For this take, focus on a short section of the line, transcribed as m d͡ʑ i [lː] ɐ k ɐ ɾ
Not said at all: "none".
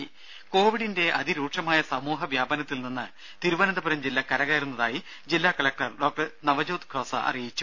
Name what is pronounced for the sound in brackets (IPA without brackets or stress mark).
lː